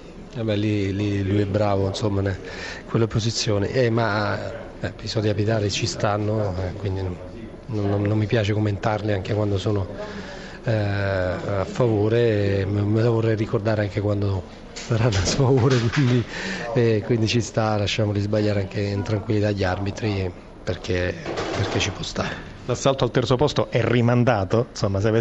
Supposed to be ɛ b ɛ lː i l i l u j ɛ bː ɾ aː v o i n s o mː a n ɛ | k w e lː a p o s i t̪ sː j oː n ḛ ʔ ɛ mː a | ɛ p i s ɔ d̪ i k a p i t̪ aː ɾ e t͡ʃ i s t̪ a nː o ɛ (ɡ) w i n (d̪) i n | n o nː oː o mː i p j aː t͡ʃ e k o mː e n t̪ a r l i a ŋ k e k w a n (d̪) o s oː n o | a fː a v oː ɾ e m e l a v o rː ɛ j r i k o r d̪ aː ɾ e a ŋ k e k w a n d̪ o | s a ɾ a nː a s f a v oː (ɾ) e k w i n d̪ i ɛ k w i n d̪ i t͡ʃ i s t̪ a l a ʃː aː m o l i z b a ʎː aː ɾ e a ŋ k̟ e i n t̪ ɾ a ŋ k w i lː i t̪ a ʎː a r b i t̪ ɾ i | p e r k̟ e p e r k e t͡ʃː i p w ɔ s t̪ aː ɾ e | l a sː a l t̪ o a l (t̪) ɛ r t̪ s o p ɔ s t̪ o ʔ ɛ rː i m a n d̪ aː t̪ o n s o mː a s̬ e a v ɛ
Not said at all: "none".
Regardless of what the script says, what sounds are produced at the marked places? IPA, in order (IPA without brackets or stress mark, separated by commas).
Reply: k, d̪, d̪, ɾ, t̪